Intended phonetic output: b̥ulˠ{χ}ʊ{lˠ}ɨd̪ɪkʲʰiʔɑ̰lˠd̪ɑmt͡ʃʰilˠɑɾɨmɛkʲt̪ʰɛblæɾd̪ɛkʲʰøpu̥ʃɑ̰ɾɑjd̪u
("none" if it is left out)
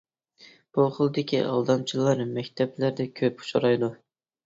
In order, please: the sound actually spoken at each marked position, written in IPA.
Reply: χ, lˠ

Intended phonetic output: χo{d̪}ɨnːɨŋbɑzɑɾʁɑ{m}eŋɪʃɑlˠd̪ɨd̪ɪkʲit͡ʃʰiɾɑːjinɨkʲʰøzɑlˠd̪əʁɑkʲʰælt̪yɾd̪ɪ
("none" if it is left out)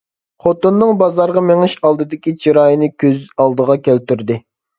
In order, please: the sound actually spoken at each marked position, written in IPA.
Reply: t̪, m

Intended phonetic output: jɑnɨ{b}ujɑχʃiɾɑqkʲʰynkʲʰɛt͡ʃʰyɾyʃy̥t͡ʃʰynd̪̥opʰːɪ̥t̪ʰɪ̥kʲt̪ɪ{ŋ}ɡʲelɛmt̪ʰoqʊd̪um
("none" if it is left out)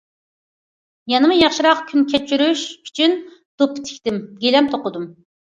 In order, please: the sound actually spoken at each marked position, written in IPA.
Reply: m, m

